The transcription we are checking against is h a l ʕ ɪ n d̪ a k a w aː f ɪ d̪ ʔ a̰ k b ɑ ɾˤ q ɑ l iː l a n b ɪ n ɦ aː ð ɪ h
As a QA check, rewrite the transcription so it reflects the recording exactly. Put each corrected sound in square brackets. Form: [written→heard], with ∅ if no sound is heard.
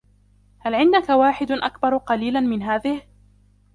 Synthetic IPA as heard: h a l ʕ ɪ n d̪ a k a w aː [f→ħ] ɪ d̪ ʔ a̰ k b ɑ ɾˤ q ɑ l iː l a n [b→m] ɪ n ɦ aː ð ɪ h